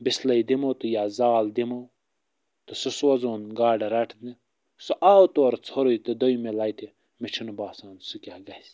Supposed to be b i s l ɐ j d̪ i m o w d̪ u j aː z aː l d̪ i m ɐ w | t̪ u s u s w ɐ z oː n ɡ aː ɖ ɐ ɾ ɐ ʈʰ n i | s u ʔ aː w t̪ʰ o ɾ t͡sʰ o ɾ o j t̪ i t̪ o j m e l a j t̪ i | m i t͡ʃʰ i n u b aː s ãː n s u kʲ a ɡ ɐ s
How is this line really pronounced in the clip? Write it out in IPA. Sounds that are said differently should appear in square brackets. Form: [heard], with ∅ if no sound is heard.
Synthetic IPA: b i s l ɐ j d̪ i m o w [t̪] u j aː z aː l d̪ i m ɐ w | t̪ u s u s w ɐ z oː n ɡ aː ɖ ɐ ɾ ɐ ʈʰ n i | s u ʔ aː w [t̪] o ɾ t͡sʰ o ɾ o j t̪ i [d̪] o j m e l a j t̪ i | m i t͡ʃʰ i n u b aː s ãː n s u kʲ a ɡ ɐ s